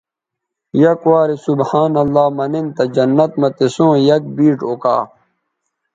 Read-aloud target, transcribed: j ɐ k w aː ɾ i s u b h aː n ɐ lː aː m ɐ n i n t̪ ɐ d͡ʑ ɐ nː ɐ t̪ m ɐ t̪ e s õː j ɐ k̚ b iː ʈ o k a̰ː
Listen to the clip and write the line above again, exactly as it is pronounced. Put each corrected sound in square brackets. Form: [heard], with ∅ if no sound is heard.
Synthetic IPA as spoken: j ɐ k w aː ɾ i s u b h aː n ɐ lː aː m ɐ n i n t̪ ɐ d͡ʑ ɐ nː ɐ t̪ m ɐ t̪ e s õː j ɐ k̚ b iː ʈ o k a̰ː